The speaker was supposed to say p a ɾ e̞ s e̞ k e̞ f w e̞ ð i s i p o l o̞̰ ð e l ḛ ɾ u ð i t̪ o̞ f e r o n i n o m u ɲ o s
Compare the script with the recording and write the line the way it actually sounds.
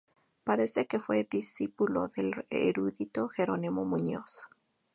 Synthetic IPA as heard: p a ɾ e̞ s e̞ k e̞ f w e̞ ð i s i p u l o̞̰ ð e l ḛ ɾ u ð i t̪ o̞ x e ɾ o n i m o m u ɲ o s